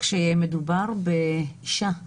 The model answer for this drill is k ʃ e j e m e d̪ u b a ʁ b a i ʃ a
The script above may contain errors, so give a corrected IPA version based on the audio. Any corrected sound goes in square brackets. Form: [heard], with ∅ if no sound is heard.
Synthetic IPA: k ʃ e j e m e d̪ u b a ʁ b [e] i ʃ a